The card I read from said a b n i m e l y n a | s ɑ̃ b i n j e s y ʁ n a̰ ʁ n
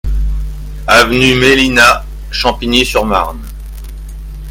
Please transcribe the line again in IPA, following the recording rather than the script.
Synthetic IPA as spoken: a v n y m e l i n a | ʃ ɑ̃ p i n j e s y ʁ m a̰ ʁ n